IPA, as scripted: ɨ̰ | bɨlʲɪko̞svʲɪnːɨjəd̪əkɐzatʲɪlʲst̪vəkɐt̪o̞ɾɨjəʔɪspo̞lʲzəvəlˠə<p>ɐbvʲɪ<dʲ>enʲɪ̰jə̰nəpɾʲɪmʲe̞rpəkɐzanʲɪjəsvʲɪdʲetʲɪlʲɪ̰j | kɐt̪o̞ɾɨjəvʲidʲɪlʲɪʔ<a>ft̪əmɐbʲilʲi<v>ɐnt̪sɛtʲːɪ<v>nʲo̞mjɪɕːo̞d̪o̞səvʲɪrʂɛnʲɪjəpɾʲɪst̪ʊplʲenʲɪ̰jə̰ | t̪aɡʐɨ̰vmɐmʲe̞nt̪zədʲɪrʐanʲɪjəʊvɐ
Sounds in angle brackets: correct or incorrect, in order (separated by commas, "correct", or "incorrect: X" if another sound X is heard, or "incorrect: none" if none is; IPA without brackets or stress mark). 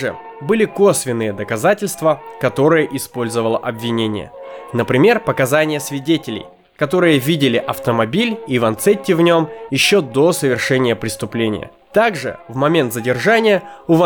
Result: incorrect: ʔ, incorrect: nʲ, incorrect: ɐ, correct, correct